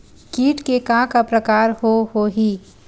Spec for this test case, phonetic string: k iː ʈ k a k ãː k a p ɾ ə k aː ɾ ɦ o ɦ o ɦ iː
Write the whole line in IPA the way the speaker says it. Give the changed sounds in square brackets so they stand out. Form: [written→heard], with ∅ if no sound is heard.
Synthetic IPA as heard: k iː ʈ k [a→e] k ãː k a p ɾ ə k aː ɾ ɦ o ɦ o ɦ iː